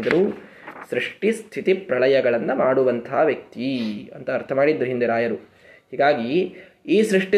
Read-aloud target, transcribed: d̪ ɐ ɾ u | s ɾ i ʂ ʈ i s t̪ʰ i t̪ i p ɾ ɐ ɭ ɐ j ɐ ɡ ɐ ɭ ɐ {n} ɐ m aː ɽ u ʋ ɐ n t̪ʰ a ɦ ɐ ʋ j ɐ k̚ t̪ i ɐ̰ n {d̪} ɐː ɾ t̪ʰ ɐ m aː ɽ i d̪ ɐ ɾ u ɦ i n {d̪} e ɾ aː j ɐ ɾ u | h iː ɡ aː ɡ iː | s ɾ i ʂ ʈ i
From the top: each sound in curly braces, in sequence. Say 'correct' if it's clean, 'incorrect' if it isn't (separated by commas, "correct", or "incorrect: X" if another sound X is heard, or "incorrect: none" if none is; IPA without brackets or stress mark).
incorrect: nː, incorrect: t̪, correct